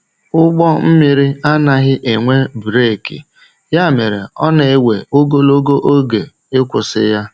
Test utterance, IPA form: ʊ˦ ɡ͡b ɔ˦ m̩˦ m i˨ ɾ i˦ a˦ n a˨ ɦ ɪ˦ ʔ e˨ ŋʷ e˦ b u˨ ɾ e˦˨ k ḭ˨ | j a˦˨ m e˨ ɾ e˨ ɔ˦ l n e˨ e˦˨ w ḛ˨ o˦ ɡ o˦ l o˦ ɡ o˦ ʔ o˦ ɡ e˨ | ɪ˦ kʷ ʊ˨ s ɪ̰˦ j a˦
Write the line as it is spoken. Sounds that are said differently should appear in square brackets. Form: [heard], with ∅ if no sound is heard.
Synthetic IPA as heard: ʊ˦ ɡ͡b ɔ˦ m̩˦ m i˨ ɾ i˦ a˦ n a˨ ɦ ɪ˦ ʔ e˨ ŋʷ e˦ b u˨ ɾ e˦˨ k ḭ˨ | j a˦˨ m e˨ ɾ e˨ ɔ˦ [∅] n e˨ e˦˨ w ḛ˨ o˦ ɡ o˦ l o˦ ɡ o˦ ʔ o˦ ɡ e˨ | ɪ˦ kʷ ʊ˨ s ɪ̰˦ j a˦

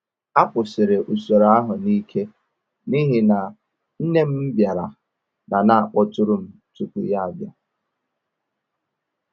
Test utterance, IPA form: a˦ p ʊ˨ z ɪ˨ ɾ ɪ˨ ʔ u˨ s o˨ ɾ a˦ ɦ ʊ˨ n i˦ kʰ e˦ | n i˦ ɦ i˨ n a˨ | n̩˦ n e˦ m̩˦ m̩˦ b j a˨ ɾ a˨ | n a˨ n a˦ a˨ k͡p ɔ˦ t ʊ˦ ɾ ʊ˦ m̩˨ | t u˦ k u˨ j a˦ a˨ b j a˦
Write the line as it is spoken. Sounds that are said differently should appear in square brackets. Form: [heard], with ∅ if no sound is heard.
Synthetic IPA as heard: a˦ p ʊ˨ [s] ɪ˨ ɾ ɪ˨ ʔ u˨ s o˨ ɾ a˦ ɦ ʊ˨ n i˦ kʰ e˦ | n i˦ ɦ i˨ n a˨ | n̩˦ n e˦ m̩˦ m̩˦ b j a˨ ɾ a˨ | n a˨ n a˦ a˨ k͡p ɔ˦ t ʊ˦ ɾ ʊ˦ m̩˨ | t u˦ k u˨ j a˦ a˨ b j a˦

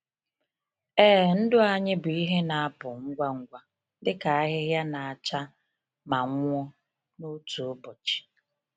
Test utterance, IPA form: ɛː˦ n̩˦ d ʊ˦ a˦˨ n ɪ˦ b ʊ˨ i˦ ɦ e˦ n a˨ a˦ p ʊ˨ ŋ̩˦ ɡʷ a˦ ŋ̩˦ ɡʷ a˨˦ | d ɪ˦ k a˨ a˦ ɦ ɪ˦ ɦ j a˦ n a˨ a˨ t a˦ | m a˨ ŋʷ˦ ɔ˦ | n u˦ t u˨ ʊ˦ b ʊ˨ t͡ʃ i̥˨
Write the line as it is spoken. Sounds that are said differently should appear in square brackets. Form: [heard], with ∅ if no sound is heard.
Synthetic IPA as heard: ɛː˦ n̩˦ d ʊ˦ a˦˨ [ɲ] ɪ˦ b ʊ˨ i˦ ɦ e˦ n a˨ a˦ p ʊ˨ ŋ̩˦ ɡʷ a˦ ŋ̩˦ ɡʷ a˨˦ | d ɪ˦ k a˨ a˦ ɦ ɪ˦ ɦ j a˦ n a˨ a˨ [t͡ʃ] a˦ | m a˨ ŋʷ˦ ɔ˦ | n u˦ t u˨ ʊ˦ b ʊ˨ t͡ʃ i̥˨

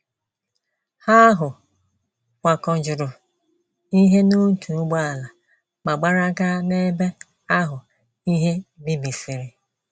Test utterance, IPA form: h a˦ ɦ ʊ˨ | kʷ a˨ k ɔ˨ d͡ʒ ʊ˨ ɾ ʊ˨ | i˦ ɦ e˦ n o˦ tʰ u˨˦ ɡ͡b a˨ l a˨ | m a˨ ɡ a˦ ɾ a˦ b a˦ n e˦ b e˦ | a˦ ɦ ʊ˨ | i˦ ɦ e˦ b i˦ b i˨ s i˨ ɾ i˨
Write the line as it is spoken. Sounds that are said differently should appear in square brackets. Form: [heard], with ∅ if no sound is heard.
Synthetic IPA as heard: h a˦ ɦ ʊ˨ | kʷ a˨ k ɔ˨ d͡ʒ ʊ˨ ɾ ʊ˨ | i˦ ɦ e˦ n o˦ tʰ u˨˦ ɡ͡b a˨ l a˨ | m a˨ [ɡ͡b] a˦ ɾ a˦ [ɡ] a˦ n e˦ b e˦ | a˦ ɦ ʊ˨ | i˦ ɦ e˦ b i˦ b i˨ s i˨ ɾ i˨

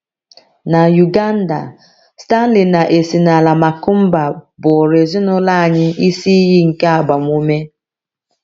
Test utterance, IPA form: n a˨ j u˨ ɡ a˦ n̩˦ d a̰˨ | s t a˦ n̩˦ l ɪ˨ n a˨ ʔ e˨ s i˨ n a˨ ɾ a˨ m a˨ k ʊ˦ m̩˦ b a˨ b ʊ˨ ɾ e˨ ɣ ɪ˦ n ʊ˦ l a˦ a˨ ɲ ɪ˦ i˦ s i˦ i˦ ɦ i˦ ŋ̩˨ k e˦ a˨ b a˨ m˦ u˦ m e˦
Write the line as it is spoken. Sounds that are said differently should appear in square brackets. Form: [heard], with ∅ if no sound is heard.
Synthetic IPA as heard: n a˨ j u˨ ɡ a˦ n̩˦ d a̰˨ | s t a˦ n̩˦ l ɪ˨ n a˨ ʔ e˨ s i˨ n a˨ [l] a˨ m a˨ k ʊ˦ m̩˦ b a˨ b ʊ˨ ɾ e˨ [z] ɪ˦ n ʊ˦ l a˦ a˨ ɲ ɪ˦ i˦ s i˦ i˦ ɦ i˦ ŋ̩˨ k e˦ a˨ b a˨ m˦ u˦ m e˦

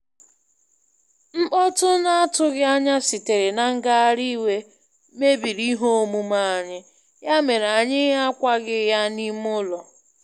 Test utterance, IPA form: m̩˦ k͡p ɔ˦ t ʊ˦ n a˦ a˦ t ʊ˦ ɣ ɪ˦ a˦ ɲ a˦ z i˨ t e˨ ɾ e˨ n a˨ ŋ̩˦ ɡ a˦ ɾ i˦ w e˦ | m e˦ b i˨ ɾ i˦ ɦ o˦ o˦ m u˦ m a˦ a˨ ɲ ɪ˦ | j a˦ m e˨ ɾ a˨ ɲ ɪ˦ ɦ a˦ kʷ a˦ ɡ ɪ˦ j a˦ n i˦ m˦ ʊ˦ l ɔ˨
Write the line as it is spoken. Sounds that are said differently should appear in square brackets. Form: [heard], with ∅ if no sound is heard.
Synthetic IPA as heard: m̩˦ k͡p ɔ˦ t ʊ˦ n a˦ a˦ t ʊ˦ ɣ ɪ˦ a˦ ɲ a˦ [s] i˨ t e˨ ɾ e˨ n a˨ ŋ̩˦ ɡ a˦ ɾ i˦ w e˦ | m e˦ b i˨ ɾ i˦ ɦ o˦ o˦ m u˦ m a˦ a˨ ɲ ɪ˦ | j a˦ m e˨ ɾ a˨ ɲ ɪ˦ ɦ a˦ kʷ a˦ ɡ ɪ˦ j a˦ n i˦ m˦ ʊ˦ l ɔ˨

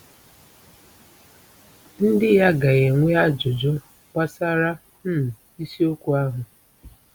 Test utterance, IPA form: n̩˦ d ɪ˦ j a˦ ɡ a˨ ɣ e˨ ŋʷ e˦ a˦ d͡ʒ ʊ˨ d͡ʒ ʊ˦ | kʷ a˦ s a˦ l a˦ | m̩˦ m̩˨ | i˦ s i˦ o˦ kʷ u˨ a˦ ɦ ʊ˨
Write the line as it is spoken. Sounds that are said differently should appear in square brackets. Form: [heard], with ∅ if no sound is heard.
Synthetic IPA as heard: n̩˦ d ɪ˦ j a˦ ɡ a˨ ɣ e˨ ŋʷ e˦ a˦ d͡ʒ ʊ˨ d͡ʒ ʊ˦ | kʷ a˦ s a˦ [ɾ] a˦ | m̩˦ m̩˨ | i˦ s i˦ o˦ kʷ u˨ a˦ ɦ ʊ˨

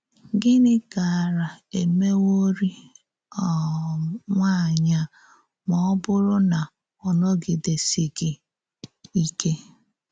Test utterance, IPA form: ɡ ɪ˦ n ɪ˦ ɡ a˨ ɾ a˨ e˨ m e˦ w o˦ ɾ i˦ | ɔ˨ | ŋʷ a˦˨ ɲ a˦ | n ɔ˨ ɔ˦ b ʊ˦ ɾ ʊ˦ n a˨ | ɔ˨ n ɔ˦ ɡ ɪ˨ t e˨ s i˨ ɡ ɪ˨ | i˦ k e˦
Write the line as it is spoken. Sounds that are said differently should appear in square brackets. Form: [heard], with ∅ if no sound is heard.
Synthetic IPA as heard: ɡ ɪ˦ n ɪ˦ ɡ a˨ ɾ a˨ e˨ m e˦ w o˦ ɾ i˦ | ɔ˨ | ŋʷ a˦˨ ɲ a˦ | [m] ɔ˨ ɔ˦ b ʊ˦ ɾ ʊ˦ n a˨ | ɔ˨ n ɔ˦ ɡ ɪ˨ [d] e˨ s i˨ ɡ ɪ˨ | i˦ k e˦

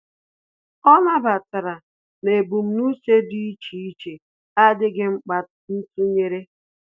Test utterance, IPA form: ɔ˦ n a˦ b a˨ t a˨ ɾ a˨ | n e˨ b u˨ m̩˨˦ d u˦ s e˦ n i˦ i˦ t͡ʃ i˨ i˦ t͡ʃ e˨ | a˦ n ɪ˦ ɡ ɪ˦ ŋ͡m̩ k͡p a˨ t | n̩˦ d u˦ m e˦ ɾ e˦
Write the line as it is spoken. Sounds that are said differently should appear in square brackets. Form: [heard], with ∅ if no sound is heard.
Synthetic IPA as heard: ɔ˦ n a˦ b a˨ t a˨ ɾ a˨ | n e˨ b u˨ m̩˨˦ [n] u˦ s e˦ [d] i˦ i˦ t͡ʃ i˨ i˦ t͡ʃ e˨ | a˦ [d] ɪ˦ ɡ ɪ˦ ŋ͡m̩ k͡p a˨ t | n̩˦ [t] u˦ [ɲ] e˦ ɾ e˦

